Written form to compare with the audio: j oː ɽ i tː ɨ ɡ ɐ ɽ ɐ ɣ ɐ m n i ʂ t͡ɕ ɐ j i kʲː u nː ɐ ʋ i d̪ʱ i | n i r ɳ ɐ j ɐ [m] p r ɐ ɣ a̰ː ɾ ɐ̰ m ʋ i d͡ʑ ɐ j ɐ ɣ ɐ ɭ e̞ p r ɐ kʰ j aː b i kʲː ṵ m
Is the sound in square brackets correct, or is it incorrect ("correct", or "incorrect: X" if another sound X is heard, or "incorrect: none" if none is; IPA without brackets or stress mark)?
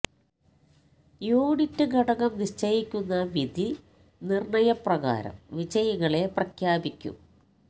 incorrect: none